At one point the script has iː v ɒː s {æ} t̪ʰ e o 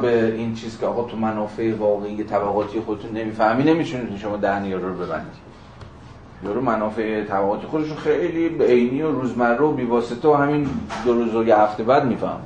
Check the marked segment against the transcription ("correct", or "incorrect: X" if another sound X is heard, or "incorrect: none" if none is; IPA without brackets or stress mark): incorrect: e